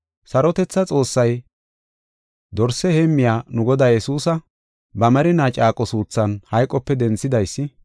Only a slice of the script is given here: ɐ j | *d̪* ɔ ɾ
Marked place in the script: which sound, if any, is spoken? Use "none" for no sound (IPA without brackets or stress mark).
d̪